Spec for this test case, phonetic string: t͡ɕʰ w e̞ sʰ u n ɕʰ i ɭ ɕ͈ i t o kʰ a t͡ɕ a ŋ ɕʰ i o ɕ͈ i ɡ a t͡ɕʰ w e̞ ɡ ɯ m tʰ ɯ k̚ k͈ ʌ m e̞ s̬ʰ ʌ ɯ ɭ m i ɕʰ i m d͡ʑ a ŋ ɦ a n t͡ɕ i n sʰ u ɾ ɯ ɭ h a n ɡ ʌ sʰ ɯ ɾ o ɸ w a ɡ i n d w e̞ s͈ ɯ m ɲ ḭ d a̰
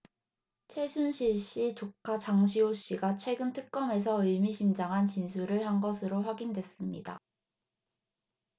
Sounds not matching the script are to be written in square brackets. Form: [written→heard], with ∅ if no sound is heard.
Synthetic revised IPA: t͡ɕʰ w e̞ sʰ u n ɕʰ i ɭ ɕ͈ i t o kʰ a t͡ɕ a ŋ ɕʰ i o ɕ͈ i ɡ a t͡ɕʰ w e̞ ɡ ɯ [m→n] tʰ ɯ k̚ k͈ ʌ m e̞ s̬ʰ ʌ ɯ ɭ m i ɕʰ i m d͡ʑ a ŋ ɦ a n t͡ɕ i n sʰ u ɾ ɯ ɭ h a n ɡ ʌ sʰ ɯ ɾ o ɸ w a ɡ i n d w e̞ s͈ ɯ m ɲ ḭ d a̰